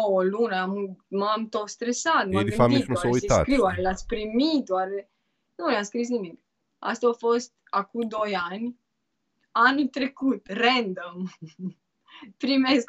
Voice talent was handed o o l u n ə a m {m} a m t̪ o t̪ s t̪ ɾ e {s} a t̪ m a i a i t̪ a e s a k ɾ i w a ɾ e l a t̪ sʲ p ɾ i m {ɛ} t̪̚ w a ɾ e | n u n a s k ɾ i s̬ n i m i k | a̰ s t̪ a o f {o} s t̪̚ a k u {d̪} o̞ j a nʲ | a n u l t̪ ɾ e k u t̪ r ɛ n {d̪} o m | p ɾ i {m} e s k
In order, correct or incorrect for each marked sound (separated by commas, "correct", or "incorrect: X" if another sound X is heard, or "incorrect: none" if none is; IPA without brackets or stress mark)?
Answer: correct, correct, incorrect: i, correct, correct, correct, correct